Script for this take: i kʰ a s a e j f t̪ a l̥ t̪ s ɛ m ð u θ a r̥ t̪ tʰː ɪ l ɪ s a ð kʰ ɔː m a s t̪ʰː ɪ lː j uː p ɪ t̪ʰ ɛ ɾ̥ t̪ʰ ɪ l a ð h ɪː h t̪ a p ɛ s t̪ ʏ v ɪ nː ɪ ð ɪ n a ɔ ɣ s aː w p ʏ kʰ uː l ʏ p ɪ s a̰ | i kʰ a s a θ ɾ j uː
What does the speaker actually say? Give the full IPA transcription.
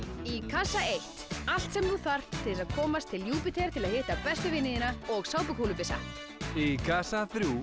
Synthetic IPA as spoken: i kʰ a s a e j h t̪ a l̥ t̪ s ɛ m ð u θ a r̥ t̪ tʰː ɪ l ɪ s a ð kʰ ɔː m a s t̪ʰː ɪ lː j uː p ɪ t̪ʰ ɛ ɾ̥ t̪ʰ ɪ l a ð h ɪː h t̪ a p ɛ s t̪ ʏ v ɪ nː ɪ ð ɪ n a ɔ ɣ s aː w p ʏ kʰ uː l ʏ p ɪ s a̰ | i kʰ a s a θ ɾ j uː